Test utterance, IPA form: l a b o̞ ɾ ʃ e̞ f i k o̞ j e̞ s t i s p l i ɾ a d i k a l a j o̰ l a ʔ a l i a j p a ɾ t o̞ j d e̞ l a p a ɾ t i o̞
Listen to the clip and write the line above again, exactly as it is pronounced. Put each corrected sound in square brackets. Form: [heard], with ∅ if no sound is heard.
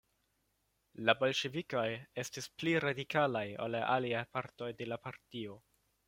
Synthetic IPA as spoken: l a b o̞ [l] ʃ e̞ [v] i k o̞ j e̞ s t i s p l i ɾ a d i k a l a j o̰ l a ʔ a l i a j p a ɾ t o̞ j d e̞ l a p a ɾ t i o̞